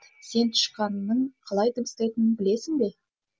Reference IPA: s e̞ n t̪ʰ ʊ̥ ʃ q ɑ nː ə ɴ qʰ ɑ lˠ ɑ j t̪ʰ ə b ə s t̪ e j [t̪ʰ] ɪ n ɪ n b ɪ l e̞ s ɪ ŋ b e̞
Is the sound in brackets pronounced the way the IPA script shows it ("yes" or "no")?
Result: no